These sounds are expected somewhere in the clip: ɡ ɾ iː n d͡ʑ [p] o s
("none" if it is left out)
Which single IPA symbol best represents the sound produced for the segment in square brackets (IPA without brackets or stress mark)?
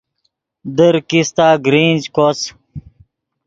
k